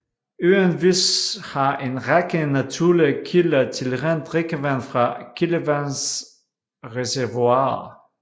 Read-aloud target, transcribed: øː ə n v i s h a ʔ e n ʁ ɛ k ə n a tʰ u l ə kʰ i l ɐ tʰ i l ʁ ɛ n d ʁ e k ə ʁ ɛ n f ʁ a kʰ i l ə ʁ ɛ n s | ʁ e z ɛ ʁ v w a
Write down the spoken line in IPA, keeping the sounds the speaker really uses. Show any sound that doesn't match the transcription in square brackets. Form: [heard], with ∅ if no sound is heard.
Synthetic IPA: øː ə n v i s h a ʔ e n ʁ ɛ k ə n a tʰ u l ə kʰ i l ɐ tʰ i l ʁ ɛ n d ʁ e k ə [v] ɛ n f ʁ a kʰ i l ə [v] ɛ n s | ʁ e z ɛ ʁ v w a